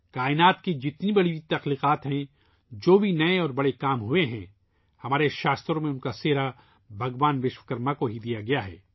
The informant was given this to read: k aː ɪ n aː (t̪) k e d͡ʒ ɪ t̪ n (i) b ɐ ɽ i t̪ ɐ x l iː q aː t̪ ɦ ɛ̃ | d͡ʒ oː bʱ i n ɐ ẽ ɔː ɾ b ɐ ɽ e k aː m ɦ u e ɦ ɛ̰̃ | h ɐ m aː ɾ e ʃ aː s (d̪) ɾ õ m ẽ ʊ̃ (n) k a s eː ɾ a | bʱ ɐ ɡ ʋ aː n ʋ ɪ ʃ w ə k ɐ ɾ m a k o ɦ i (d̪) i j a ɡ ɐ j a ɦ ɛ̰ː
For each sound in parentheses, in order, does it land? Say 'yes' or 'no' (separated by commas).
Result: yes, yes, no, yes, yes